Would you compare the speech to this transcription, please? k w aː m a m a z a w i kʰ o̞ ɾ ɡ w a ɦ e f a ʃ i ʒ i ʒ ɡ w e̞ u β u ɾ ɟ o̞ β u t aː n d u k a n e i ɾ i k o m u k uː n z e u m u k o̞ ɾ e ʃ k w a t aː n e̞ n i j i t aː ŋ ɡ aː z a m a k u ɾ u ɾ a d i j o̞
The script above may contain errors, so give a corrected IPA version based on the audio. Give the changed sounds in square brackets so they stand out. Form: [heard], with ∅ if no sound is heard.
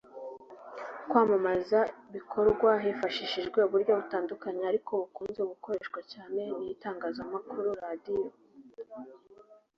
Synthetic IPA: k w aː m a m a z a [β] i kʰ o̞ ɾ ɡ w a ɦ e f a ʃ i [ʃ] i ʒ ɡ w e̞ u β u ɾ ɟ o̞ β u t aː n d u k a [ɲ] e [a] ɾ i k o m u k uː n z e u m u k o̞ ɾ e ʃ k w a [c] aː n e̞ n i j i t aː ŋ ɡ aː z a m a k u ɾ u ɾ a d i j o̞